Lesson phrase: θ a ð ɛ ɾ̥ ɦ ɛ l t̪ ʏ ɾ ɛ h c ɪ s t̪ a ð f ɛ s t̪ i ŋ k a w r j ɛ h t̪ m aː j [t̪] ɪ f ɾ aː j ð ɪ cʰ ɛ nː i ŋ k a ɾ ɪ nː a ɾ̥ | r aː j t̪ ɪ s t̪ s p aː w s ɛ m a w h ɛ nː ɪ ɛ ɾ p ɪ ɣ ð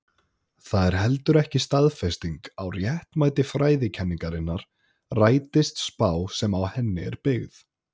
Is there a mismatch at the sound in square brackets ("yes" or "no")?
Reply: no